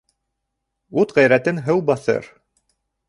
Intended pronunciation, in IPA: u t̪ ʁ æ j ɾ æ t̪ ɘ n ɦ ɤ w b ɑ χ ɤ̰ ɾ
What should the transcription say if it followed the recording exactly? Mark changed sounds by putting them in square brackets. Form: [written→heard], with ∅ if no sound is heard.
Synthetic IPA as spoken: u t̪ ʁ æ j ɾ æ t̪ ɘ n ɦ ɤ w b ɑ [χ→θ] ɤ̰ ɾ